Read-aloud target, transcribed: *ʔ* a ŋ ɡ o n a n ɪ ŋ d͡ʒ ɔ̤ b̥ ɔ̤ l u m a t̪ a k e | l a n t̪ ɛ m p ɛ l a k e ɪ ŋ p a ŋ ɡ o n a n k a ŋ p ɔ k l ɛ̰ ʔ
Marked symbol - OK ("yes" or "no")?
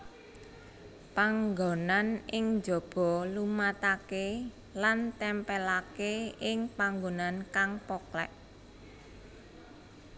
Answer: no